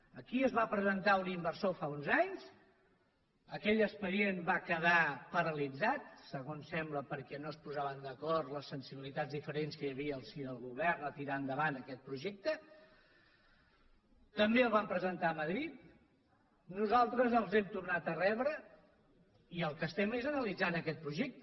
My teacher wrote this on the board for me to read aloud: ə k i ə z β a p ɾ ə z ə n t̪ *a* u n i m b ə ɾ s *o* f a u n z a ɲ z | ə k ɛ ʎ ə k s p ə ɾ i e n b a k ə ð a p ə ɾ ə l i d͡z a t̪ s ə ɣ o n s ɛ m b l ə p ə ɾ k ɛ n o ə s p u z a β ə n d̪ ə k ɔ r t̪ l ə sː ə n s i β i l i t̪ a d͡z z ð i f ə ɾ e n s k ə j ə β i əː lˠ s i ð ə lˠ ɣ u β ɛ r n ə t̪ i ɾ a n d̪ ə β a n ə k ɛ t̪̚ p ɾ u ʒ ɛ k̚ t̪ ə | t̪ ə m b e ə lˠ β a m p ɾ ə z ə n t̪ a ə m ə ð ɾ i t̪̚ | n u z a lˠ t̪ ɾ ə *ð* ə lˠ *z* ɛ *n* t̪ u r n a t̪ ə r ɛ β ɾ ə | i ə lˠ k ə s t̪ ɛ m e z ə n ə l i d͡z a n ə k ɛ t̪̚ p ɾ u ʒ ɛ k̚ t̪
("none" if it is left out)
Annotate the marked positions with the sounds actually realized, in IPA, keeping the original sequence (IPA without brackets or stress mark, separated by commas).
a, o, z, z, m